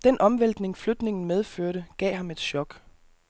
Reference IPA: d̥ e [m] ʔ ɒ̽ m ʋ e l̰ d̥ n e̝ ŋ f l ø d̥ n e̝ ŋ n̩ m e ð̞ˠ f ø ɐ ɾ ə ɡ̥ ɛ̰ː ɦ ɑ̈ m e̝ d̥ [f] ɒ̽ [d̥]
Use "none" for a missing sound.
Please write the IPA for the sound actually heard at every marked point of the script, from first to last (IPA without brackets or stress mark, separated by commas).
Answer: n, ɕ, ɡ̥